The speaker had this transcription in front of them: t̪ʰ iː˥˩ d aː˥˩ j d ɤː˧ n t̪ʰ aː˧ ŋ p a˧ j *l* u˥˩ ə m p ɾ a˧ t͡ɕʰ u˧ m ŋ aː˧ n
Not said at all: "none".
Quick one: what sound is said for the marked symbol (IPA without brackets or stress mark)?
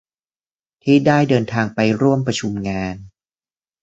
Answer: ɾ